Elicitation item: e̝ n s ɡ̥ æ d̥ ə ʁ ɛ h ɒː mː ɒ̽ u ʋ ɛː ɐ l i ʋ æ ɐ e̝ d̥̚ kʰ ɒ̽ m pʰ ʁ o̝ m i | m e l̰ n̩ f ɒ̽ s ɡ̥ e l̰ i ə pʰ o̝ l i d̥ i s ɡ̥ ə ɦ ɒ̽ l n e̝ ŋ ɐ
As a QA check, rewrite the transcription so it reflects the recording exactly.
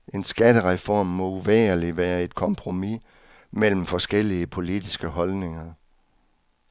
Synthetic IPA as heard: e̝ n s ɡ̥ æ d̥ ə ʁ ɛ f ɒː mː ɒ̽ u ʋ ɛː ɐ l i ʋ æː ɐ e̝ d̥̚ kʰ ɒ̽ m pʰ ʁ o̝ m i | m e l̰ m̩ f ɒ̽ s ɡ̥ e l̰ i ə pʰ o̝ l i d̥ i s ɡ̥ ə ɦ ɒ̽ l n e̝ ŋ ɐ

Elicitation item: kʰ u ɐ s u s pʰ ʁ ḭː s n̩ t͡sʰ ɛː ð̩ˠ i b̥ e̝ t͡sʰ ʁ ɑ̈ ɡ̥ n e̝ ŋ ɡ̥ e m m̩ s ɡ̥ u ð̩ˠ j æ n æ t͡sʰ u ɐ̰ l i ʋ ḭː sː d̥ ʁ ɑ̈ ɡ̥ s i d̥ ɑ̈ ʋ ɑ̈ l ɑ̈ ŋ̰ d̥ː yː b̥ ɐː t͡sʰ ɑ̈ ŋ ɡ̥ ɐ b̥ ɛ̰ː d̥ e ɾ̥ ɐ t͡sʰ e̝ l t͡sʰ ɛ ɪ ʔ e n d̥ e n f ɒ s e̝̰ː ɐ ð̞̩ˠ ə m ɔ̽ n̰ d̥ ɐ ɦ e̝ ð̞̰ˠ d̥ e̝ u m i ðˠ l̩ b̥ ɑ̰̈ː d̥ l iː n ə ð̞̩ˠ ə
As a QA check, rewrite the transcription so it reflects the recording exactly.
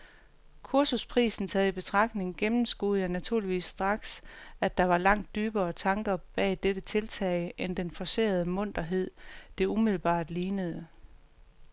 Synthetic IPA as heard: kʰ u ɐ s u s pʰ ʁ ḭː s n̩ t͡sʰ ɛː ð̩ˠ i b̥ e̝ t͡sʰ ʁ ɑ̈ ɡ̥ n e̝ ŋ ɡ̥ e m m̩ s ɡ̥ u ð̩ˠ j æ n æ t͡sʰ u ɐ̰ l i ʋ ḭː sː d̥ ʁ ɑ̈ ɡ̥ s æ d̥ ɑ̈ ʋ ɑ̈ l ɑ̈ ŋ̰ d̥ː yː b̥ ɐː t͡sʰ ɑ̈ ŋ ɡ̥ ɐ b̥ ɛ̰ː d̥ e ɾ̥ ə t͡sʰ e̝ l t͡sʰ ɛ ɪ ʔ e n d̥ e n f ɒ s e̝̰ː ɐ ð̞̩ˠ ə m ɔ̽ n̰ d̥ ɐ ɦ e̝ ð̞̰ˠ d̥ e̝ u m i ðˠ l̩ b̥ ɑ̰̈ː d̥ l iː n ə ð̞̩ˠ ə

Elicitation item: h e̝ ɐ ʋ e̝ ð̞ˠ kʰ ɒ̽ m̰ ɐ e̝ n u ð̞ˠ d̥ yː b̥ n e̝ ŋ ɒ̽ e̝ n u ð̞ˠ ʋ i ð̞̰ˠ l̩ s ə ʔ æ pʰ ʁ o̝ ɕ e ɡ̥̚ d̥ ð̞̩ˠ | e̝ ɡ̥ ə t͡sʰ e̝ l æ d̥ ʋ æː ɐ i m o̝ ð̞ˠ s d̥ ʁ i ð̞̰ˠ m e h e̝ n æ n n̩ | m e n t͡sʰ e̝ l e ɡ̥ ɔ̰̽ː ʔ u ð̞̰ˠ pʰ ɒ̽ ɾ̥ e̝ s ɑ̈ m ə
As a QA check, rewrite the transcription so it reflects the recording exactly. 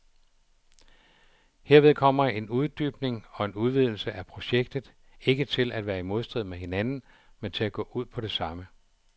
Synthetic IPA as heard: h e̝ ɐ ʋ e̝ ð̞ˠ kʰ ɒ̽ m̰ ɐ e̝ n u ð̞ˠ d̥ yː b̥ n e̝ ŋ ɒ̽ e̝ n u ð̞ˠ ʋ i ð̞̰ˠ l̩ s ə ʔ æ pʰ ʁ o̝ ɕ e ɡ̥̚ d̥ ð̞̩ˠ | e̝ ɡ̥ ə t͡sʰ e̝ l æ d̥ ʋ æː ɐ i m o̝ ð̞ˠ s d̥ ʁ i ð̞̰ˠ m e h e̝ n æ n n̩ | m e n t͡sʰ e̝ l æ ɡ̥ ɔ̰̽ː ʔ u ð̞̰ˠ pʰ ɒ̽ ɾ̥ e̝ s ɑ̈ m ə

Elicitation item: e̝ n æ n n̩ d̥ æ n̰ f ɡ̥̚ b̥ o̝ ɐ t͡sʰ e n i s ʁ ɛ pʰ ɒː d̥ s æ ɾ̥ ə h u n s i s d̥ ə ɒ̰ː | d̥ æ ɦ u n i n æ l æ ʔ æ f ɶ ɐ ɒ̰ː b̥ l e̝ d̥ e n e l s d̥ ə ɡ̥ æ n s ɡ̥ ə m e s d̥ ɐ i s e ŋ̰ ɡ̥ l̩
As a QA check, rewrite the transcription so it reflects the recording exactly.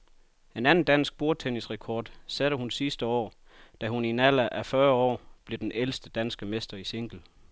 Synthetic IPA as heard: e̝ n æ n n̩ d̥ æ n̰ s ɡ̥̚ b̥ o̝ ɐ t͡sʰ e n i s ʁ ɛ kʰ ɒː d̥ s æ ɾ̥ ə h u n s i s d̥ ə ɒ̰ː | d̥ æ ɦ u n i n æ l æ ʔ æ f ɶ ɐ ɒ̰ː b̥ l e̝ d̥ e n e l s d̥ ə d̥ æ n s ɡ̥ ə m e s d̥ ɐ i s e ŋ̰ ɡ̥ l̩

